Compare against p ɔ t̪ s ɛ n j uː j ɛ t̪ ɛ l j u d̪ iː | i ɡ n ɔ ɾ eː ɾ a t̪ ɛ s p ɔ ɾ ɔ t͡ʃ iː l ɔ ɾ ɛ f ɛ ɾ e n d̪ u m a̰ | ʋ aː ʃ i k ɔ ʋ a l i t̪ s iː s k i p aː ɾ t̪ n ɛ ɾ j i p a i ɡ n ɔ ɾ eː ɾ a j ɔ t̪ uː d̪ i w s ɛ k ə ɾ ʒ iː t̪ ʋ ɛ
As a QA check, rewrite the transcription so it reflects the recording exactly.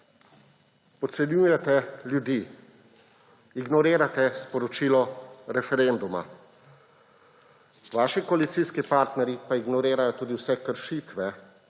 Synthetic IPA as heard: p ɔ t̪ s ɛ n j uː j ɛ t̪ ɛ l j u d̪ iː | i ɡ n ɔ ɾ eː ɾ a t̪ ɛ s p ɔ ɾ ɔ t͡ʃ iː l ɔ ɾ ɛ f ɛ ɾ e n d̪ u m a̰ | ʋ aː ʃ i k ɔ a l i t̪ s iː s k i p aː ɾ t̪ n ɛ ɾ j i p a i ɡ n ɔ ɾ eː ɾ a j ɔ t̪ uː d̪ i w s ɛ k ə ɾ ʃ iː t̪ ʋ ɛ